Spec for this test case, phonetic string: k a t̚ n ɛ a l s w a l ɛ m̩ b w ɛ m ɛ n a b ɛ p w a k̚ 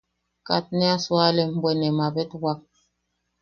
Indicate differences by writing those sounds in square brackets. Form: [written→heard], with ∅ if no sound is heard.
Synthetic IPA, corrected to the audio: k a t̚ n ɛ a [l→∅] s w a l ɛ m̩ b w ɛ [m→n] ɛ [n→m] a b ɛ [p→t] w a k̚